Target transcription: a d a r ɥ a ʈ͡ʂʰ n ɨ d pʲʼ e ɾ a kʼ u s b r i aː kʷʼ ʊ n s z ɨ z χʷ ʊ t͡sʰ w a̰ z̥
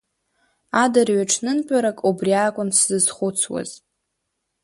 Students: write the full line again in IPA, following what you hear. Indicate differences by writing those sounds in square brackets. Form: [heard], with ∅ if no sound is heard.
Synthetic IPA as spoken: a d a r ɥ a ʈ͡ʂʰ n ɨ [n] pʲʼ [a] ɾ a kʼ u [∅] b r i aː kʷʼ ʊ n s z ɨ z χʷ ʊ t͡sʰ w a̰ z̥